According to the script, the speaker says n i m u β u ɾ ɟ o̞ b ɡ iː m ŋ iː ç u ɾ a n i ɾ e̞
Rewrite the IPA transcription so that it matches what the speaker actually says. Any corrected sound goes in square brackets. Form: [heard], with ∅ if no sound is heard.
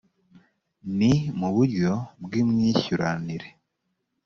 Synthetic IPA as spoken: n i m u β u ɾ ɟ o̞ b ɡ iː m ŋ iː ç u ɾ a n i ɾ e̞